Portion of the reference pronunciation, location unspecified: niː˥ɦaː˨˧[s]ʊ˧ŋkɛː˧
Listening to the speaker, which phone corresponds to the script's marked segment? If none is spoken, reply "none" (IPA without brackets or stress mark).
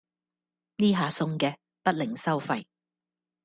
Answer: s